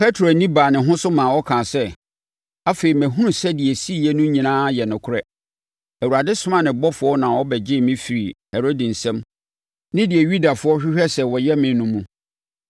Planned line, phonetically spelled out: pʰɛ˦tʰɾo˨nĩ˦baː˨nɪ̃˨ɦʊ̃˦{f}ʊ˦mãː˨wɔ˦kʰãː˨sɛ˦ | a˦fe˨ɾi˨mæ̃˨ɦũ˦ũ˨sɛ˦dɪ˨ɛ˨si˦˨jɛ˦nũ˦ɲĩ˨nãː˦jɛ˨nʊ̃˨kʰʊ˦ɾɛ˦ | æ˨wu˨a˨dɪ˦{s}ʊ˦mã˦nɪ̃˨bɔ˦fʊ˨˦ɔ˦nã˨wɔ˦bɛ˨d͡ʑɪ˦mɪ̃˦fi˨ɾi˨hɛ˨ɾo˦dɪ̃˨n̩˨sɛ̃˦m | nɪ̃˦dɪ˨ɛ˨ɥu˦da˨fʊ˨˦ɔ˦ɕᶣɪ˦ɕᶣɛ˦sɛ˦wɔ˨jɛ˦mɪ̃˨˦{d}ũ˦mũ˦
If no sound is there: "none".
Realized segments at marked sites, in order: s, s, n

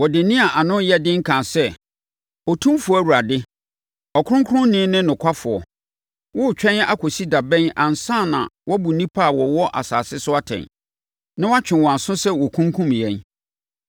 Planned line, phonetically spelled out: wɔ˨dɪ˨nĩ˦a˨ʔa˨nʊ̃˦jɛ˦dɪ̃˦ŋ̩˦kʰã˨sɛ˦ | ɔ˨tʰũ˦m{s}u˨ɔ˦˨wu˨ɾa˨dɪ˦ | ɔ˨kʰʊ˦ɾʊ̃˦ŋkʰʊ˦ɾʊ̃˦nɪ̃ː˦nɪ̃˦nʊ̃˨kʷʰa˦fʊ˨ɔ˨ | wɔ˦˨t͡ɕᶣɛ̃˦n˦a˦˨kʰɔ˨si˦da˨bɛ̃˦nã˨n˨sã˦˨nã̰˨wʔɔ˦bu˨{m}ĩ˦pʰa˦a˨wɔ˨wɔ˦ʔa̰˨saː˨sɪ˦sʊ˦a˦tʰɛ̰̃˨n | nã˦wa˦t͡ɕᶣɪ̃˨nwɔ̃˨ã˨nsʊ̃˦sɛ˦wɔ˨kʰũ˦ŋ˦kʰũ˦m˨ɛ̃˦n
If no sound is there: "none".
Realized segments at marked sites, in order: f, n

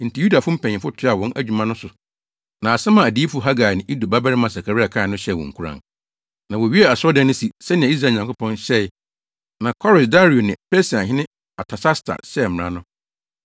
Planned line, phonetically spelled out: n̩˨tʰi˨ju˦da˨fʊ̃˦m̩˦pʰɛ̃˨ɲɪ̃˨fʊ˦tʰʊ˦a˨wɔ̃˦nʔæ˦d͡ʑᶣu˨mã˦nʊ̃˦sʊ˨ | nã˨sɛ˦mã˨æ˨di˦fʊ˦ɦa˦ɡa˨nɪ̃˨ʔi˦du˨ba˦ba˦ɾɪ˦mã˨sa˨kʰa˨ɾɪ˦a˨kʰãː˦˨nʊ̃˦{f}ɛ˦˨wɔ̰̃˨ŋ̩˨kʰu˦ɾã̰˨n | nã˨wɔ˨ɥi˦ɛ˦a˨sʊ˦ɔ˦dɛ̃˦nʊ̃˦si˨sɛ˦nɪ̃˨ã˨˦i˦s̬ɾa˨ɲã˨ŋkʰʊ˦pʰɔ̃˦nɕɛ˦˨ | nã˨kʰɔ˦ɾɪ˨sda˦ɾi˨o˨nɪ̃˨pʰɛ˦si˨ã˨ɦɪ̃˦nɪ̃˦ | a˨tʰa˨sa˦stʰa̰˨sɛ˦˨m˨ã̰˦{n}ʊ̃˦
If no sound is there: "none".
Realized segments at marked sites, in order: ɕ, n

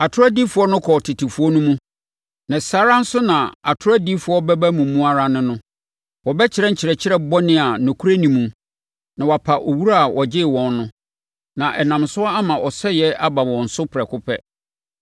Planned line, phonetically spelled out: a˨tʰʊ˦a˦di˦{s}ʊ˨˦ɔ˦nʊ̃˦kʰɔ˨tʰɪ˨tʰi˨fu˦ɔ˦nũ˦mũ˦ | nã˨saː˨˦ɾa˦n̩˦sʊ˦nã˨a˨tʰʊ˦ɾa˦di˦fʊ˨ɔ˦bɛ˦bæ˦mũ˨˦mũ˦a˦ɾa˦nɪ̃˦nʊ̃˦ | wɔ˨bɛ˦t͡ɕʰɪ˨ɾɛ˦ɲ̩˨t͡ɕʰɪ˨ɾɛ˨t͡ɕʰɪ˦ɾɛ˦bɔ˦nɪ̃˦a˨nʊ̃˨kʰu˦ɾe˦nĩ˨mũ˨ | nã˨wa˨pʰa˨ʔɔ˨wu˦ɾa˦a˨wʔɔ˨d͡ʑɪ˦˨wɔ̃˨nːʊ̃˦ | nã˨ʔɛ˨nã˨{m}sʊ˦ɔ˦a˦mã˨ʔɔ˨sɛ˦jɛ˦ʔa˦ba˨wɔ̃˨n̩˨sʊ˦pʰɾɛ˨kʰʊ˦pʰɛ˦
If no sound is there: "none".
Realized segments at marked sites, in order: f, m

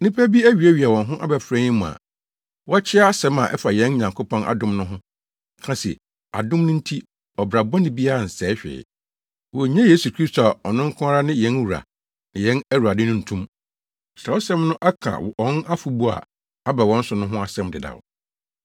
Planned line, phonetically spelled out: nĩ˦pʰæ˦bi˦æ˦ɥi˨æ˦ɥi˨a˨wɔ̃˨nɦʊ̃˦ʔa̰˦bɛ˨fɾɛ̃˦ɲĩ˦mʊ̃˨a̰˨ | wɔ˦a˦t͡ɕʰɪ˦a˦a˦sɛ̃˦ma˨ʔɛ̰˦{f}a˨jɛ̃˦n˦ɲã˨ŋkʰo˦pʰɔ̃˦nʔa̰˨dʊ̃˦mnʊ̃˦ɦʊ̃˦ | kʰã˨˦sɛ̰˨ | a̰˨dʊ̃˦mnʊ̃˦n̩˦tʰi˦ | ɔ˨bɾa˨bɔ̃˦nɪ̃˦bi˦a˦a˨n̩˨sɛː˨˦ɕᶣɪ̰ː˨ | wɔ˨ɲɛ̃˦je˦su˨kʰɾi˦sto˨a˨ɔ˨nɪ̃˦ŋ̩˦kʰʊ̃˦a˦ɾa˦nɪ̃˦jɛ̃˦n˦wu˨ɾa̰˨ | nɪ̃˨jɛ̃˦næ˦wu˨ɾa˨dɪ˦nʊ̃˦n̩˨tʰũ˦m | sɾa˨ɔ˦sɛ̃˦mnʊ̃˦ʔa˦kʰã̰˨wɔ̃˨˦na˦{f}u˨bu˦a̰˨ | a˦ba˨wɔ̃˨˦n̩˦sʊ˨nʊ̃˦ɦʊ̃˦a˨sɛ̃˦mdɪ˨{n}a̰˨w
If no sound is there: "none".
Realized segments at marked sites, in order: f, f, d

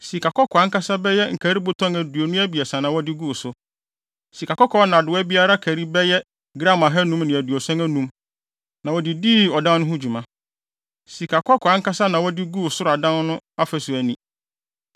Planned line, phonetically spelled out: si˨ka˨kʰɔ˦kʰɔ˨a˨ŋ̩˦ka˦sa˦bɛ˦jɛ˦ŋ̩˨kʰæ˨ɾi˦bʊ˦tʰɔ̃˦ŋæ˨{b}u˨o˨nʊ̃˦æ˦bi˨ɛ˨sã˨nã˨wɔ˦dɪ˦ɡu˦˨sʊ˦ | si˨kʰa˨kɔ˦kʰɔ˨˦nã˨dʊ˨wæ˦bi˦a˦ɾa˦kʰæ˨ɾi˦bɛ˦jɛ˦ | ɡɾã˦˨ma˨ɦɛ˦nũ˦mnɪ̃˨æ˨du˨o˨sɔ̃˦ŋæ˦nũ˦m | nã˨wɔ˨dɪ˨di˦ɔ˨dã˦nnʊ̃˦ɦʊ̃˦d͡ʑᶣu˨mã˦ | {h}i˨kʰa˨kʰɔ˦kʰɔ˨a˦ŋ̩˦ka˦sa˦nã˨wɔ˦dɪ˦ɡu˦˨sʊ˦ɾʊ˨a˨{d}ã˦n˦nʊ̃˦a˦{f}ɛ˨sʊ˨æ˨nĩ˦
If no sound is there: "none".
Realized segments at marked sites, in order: d, s, d, f

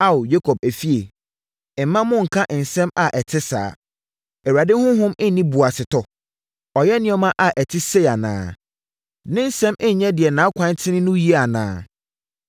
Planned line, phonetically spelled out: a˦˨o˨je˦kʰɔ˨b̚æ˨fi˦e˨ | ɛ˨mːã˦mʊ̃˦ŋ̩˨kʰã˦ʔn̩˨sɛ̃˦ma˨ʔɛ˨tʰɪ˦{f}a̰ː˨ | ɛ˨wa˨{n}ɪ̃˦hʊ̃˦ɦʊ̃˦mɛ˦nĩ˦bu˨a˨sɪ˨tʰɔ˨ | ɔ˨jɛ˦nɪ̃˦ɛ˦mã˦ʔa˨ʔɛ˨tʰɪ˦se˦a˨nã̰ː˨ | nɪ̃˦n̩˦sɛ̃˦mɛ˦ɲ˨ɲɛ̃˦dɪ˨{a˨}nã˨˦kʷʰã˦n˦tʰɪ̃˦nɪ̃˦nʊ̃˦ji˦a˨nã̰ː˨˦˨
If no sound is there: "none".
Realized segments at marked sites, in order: s, d, ɛ˨

